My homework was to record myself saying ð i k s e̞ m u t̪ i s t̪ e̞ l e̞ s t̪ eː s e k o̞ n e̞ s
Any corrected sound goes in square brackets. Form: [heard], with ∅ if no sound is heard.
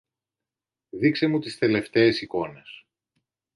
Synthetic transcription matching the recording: ð i k s e̞ m u t̪ i s t̪ e̞ l e̞ [f] t̪ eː s [i] k o̞ n e̞ s